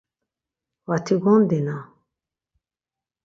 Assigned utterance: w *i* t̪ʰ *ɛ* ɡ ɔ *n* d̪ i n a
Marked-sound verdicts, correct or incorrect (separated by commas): incorrect, incorrect, correct